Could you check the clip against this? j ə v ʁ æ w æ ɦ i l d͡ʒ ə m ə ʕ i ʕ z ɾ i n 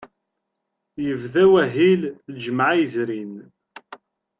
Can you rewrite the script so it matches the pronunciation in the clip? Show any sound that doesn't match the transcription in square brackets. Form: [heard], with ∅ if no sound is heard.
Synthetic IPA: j ə v [ð] æ w æ ɦ i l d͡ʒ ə m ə ʕ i [∅] z ɾ i n